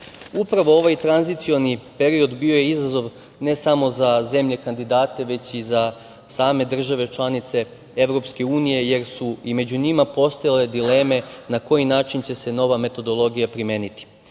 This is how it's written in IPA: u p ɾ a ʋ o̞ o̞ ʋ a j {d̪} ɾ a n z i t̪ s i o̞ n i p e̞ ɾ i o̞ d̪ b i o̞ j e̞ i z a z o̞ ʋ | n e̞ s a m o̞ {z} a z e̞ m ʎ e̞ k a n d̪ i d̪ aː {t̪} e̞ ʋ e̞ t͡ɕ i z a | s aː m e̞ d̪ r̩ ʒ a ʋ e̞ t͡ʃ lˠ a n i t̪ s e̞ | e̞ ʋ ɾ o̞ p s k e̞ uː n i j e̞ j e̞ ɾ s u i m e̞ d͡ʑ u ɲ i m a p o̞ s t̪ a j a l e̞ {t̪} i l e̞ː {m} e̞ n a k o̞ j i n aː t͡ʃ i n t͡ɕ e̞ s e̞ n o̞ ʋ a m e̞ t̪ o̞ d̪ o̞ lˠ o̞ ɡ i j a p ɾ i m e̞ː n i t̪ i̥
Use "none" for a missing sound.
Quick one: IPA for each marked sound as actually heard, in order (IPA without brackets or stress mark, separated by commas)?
t̪, z, t̪, d̪, m